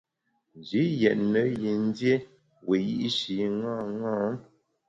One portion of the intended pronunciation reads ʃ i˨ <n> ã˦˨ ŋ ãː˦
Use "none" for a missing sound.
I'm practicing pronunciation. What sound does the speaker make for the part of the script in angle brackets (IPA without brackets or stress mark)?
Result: ŋ